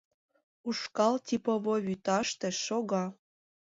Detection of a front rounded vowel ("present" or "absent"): present